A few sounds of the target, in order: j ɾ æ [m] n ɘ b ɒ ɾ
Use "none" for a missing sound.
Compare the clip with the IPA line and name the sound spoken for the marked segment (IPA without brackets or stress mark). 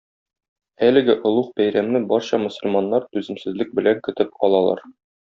m